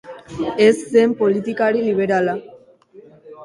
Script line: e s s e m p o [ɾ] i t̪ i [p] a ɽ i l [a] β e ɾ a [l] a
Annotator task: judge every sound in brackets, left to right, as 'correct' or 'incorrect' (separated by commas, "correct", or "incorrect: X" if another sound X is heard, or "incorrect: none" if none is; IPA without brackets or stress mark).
incorrect: l, incorrect: k, incorrect: i, correct